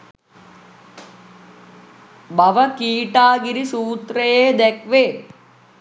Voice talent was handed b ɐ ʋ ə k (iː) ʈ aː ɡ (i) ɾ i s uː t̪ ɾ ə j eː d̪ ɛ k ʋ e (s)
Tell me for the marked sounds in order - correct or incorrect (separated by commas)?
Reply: correct, correct, incorrect